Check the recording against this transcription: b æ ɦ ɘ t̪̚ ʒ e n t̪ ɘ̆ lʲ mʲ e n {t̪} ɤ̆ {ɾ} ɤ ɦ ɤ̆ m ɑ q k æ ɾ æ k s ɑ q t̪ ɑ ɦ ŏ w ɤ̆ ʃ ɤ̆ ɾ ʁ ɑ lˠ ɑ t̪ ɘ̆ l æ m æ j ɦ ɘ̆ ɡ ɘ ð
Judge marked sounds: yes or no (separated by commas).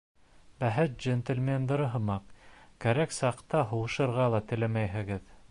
no, yes